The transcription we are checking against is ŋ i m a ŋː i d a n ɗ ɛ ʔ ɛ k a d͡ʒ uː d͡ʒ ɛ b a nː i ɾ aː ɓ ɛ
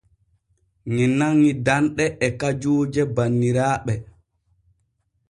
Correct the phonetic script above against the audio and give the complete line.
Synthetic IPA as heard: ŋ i n a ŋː i d a n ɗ ɛ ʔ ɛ k a d͡ʒ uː d͡ʒ ɛ b a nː i ɾ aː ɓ ɛ